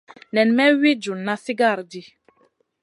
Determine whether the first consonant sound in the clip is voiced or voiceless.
voiced